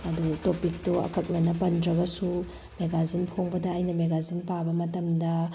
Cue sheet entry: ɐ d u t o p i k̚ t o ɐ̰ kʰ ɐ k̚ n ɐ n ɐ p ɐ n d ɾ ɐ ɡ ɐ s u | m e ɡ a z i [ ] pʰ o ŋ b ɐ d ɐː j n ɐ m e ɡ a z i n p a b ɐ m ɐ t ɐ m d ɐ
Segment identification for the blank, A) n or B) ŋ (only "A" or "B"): A